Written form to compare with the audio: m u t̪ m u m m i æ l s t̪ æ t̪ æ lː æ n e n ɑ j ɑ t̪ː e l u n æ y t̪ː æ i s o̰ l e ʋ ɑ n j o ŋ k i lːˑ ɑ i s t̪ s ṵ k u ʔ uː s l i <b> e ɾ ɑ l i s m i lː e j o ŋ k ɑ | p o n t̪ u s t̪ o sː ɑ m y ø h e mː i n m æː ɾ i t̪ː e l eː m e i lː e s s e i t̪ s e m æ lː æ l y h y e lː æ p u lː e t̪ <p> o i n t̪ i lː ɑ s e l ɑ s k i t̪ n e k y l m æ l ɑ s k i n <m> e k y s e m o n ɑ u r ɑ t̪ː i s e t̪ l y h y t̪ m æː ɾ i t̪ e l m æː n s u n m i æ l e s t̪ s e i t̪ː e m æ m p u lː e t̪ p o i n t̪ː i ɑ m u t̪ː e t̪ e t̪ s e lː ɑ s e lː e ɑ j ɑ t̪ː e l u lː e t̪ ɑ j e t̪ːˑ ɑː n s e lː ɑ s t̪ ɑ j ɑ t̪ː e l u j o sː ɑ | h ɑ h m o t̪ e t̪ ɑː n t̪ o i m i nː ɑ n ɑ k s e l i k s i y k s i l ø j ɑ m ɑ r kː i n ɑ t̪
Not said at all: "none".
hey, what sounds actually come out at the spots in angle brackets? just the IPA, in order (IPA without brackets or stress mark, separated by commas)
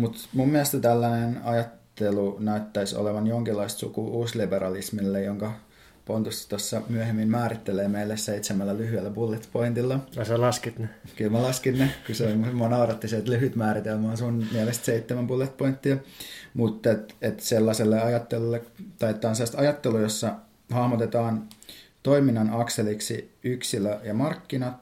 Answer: b, p, n